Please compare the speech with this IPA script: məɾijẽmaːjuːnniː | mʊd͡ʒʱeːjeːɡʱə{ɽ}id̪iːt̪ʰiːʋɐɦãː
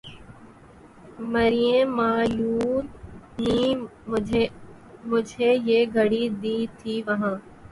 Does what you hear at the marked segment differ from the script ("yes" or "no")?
no